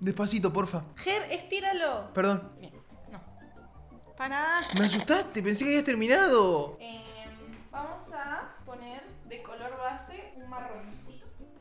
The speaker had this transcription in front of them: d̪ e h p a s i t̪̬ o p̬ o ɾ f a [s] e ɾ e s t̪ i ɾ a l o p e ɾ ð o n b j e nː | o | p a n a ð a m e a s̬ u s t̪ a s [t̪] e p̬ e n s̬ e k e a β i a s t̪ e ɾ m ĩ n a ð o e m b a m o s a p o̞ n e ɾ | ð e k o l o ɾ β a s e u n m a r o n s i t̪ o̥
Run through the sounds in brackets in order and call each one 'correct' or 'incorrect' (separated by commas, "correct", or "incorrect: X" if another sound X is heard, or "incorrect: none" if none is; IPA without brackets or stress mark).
incorrect: x, correct